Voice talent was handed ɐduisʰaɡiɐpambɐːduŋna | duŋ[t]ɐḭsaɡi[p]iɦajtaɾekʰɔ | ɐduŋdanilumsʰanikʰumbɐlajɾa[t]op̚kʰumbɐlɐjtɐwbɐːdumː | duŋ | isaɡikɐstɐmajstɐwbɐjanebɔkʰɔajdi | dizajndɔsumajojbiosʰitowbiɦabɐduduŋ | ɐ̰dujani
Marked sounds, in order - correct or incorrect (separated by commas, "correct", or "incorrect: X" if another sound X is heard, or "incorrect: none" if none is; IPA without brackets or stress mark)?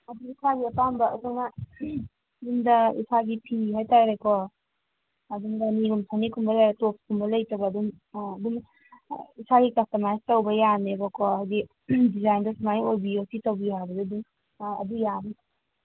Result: incorrect: d, incorrect: pʰ, correct